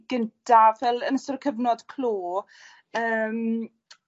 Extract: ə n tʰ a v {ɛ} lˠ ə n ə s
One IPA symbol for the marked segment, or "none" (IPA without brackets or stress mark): ɛ